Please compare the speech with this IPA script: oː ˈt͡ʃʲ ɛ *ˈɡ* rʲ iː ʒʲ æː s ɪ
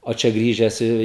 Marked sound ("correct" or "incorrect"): correct